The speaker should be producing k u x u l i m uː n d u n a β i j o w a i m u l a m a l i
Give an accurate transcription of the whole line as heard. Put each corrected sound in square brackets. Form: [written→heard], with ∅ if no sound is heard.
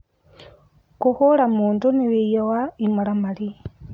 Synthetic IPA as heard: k u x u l [i→a] m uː n d u n [a→i] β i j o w a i m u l a m a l i